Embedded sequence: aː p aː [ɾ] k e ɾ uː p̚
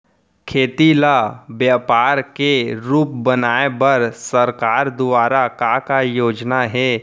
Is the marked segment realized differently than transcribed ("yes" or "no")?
no